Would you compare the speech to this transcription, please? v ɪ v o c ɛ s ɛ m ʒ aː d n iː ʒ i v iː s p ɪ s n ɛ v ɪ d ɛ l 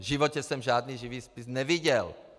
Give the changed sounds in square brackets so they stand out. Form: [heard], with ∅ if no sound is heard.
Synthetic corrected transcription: [ʒ] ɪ v o c ɛ s ɛ m ʒ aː d n iː ʒ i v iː s p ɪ s n ɛ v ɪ [ɟ] ɛ l